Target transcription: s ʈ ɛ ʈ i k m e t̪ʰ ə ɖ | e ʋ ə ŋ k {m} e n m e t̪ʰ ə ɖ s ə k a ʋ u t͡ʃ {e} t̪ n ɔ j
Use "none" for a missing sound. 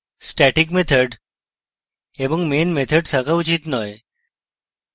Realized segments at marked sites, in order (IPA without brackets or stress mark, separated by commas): m, i